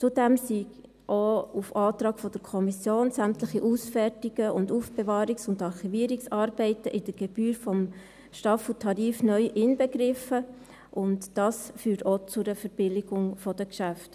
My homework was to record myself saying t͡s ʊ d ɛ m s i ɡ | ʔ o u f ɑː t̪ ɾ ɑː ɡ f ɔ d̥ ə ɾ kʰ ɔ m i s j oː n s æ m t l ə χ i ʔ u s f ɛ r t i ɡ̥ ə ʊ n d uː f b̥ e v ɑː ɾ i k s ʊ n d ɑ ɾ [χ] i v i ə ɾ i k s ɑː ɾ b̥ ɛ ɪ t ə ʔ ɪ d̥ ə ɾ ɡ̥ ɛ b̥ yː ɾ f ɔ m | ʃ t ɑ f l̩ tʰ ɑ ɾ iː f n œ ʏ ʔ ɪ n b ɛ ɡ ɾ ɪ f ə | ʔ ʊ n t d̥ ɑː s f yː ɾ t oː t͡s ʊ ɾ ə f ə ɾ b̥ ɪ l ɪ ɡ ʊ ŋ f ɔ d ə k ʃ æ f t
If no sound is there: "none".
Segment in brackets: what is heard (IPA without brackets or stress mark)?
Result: χ